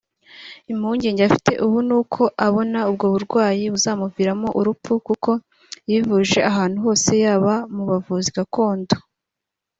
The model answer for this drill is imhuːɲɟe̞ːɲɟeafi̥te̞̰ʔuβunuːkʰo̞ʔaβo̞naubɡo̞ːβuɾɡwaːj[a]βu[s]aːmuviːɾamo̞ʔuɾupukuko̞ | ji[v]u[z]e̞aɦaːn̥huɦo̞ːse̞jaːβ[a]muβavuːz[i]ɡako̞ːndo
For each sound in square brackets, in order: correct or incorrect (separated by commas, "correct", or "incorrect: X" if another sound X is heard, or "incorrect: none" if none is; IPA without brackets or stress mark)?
incorrect: i, incorrect: z, correct, incorrect: ʒ, correct, correct